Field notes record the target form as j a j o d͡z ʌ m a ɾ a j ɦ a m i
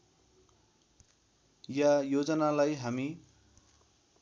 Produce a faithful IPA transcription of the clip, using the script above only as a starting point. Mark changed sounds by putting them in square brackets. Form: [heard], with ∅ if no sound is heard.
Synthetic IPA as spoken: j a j o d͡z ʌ [n] a [l] a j ɦ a m i